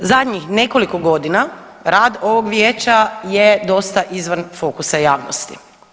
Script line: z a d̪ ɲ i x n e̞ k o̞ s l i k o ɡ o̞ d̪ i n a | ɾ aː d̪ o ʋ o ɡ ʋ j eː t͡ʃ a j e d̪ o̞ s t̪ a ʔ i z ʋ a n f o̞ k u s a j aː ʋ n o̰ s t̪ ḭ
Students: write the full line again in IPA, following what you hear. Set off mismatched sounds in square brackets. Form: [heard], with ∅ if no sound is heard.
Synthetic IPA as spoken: z a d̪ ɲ i x n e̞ k o̞ [∅] l i k o ɡ o̞ d̪ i n a | ɾ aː d̪ o ʋ o ɡ ʋ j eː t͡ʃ a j e d̪ o̞ s t̪ a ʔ i z ʋ a n f o̞ k u s a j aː ʋ n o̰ s t̪ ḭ